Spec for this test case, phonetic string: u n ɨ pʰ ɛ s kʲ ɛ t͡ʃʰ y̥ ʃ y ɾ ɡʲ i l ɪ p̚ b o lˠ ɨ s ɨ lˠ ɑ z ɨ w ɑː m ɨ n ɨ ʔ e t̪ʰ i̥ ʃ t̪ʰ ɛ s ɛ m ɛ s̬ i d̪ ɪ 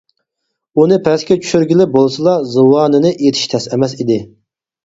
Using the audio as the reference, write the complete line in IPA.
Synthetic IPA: u n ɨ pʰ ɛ s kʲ ɛ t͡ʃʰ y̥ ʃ y ɾ ɡʲ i l ɪ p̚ b o lˠ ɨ s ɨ lˠ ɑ z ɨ w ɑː n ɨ n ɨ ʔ e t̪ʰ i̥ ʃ t̪ʰ ɛ s ɛ m ɛ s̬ i d̪ ɪ